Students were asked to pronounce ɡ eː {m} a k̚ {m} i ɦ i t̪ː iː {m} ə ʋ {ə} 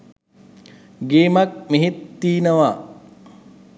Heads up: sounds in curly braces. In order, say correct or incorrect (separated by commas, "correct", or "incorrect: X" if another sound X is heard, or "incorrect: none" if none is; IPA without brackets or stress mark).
correct, correct, incorrect: n, incorrect: a